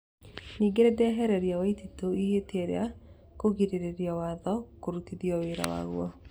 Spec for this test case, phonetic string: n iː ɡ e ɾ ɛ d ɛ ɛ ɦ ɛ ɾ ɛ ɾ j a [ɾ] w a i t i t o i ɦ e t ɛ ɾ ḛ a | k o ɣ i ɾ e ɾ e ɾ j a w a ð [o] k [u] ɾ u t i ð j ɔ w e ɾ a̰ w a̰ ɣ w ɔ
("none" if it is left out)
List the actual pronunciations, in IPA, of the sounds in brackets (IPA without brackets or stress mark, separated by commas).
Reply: none, ɔ, o